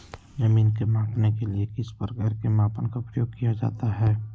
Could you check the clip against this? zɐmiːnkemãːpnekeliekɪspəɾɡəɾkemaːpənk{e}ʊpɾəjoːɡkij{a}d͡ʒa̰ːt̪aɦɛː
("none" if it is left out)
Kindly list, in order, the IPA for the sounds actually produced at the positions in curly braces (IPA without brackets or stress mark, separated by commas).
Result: a, a